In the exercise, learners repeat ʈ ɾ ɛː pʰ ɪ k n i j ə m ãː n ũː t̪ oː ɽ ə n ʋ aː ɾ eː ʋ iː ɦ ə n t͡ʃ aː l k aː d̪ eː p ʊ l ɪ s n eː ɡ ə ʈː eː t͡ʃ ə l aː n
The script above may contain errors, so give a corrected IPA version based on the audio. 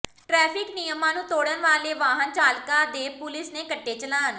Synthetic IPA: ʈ ɾ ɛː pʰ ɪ k n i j ə m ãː n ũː t̪ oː ɽ ə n ʋ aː l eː ʋ aː ɦ ə n t͡ʃ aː l k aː d̪ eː p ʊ l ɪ s n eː k ə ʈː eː t͡ʃ ə l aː n